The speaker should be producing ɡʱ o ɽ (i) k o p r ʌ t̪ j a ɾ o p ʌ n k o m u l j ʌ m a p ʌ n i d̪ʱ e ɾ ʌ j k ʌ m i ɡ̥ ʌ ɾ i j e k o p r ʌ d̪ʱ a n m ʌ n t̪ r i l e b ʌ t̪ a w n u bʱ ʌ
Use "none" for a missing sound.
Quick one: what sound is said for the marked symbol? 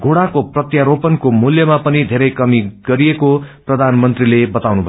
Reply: a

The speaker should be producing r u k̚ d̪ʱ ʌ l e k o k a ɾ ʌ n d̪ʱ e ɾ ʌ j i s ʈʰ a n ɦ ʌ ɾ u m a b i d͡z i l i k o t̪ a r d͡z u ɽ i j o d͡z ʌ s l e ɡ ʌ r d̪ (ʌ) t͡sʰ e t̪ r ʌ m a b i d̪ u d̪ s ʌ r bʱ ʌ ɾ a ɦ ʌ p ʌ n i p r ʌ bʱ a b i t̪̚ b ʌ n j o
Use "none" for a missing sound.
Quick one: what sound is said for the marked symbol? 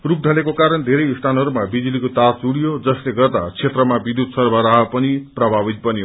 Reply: a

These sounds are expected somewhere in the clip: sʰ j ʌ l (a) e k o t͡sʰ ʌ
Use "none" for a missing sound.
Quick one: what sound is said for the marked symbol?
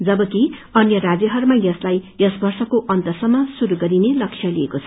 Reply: i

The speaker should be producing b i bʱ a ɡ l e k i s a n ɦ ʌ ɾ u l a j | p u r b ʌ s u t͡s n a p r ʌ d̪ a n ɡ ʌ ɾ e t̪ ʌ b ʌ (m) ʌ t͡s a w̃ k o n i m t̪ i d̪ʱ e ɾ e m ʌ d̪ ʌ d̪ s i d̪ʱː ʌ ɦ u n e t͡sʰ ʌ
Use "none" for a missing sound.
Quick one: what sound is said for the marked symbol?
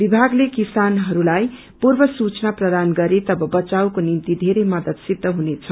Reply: b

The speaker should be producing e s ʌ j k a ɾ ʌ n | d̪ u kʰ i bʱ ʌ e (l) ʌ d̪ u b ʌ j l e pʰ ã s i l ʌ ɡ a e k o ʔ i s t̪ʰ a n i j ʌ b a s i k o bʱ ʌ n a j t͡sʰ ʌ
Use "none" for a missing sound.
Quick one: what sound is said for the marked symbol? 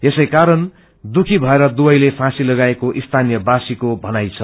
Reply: ɾ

